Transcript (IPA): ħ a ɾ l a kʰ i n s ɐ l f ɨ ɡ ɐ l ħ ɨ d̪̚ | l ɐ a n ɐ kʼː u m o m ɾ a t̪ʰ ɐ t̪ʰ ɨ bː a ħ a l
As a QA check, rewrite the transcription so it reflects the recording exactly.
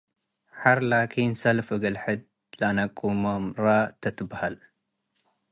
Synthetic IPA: ħ a ɾ l a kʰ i n s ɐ l f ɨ ɡ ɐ l ħ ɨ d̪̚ | l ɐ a n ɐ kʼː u m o m ɾ a t̪ʰ ɐ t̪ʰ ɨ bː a h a l